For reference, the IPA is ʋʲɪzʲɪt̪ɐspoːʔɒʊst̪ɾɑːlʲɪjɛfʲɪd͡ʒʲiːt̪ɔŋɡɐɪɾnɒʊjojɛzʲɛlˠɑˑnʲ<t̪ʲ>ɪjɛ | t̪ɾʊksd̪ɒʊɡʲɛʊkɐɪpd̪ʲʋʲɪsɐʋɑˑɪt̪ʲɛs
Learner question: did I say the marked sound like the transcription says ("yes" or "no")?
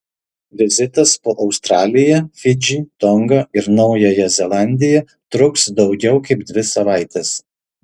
no